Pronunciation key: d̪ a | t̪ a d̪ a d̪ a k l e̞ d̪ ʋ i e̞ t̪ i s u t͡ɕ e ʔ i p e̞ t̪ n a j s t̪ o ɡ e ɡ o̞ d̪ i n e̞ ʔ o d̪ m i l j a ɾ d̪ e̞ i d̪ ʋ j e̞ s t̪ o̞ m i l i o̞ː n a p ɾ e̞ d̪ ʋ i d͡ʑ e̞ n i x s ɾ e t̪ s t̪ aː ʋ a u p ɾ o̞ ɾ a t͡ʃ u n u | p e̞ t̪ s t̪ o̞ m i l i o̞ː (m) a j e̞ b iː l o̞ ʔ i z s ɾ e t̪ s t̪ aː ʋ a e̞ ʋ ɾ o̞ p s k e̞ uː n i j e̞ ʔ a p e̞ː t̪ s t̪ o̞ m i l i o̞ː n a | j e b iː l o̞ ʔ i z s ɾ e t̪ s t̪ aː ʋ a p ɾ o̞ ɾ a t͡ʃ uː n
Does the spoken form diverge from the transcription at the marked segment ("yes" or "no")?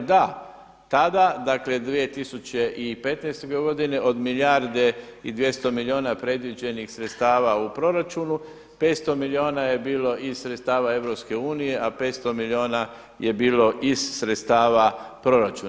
yes